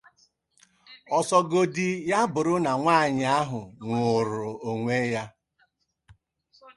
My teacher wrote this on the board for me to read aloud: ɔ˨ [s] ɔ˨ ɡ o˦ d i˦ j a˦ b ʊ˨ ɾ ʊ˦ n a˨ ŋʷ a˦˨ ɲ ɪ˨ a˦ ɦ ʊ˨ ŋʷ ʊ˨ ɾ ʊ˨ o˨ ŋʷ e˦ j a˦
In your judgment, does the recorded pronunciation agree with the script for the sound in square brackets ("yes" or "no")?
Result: yes